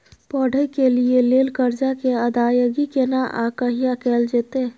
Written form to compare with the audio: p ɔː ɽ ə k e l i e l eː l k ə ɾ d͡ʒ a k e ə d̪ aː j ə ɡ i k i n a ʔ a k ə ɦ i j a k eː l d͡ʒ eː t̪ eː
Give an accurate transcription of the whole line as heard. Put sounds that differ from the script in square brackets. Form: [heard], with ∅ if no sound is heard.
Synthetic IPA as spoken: p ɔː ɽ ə k e l i e l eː l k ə ɾ d͡ʒ a k e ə d̪ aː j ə ɡ i k [e] n a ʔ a k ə ɦ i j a k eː l d͡ʒ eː t̪ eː